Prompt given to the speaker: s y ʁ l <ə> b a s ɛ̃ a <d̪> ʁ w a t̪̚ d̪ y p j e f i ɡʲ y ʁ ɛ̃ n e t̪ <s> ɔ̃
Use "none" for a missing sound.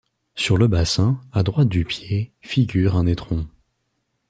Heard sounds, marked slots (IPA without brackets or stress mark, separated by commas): ə, d̪, χ